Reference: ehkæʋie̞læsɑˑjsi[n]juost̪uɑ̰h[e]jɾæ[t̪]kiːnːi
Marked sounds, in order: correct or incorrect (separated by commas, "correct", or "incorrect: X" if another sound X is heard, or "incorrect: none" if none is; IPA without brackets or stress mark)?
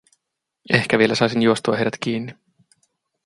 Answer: correct, correct, correct